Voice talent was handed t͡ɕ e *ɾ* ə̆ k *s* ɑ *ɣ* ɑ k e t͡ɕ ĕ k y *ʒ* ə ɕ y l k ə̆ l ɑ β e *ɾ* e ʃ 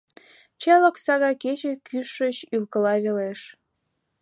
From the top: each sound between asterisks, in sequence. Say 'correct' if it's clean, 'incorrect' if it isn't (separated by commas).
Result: incorrect, correct, correct, incorrect, incorrect